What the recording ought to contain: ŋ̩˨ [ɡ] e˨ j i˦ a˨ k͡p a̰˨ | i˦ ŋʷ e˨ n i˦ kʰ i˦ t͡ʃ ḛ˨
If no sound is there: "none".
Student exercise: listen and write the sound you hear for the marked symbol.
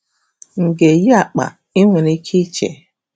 ɡ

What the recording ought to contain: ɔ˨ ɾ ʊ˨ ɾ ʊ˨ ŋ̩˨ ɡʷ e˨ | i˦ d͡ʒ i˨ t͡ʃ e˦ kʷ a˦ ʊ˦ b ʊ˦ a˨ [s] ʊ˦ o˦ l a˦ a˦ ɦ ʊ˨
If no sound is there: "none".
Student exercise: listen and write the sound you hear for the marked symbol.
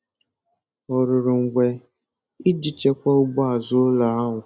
z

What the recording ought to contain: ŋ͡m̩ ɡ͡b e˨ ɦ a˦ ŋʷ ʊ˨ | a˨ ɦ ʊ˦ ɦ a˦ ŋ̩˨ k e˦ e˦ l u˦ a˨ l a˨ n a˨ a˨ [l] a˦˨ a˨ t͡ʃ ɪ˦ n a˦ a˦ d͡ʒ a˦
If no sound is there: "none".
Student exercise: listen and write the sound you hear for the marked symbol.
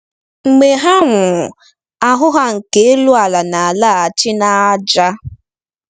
l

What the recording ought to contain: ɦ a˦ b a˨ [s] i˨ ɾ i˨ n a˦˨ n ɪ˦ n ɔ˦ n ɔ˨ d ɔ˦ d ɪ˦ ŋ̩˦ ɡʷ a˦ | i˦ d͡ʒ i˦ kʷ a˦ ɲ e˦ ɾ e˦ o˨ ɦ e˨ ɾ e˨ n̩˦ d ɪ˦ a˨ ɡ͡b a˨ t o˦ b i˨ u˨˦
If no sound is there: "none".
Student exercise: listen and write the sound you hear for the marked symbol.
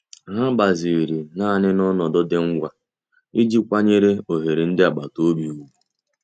z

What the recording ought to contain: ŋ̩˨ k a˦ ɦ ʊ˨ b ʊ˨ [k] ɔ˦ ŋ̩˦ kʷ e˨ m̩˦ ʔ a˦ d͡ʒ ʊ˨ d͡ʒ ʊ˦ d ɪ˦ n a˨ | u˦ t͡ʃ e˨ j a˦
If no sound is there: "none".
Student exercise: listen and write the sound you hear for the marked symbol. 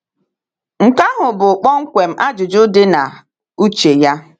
k͡p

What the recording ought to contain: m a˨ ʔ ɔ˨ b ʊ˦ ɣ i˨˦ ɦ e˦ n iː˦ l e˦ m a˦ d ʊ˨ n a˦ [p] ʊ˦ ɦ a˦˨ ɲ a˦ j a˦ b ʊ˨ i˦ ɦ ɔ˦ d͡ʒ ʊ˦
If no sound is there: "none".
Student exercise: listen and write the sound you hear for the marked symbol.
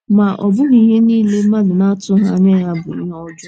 t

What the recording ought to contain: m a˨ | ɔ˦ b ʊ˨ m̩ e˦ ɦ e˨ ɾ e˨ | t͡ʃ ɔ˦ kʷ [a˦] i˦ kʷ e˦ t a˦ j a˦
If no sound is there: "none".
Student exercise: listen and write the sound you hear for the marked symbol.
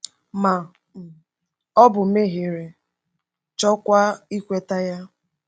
a˦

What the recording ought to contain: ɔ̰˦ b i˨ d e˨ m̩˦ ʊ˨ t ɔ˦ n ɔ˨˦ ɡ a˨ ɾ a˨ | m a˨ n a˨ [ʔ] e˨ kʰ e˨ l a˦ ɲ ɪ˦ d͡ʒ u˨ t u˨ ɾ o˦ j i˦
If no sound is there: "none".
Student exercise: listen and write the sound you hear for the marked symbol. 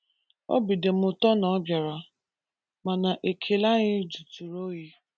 ʔ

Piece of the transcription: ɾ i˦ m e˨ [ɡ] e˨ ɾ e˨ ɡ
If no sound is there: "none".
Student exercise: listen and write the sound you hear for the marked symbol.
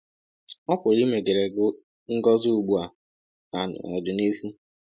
ɡ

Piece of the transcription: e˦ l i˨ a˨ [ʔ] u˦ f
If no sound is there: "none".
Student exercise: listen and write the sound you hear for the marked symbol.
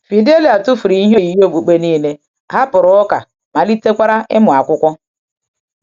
t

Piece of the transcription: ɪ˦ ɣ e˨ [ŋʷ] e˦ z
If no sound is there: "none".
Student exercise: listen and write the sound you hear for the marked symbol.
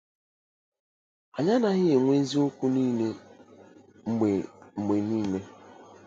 ŋʷ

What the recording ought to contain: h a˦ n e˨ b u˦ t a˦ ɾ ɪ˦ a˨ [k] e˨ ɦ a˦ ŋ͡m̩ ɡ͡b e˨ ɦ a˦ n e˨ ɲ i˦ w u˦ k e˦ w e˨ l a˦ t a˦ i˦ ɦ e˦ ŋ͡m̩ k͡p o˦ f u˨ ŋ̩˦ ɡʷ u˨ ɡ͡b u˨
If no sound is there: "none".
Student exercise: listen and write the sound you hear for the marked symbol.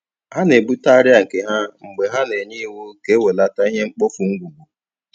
k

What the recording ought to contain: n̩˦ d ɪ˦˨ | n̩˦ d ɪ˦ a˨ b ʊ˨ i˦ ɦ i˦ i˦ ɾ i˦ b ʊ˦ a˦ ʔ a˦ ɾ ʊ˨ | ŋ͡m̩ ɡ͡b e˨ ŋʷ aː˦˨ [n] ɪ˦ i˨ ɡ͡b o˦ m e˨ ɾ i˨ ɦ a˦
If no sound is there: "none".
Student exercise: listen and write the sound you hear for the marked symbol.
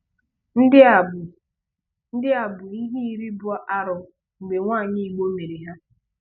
ɲ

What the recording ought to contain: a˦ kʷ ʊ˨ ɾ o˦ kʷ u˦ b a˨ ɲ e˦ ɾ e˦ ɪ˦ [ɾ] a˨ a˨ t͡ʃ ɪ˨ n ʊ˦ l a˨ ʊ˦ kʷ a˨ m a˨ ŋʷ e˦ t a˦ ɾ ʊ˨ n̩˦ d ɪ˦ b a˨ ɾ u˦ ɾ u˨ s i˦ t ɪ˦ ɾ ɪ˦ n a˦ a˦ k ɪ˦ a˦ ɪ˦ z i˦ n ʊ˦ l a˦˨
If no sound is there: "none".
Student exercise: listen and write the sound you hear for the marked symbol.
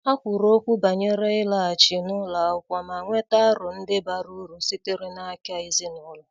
l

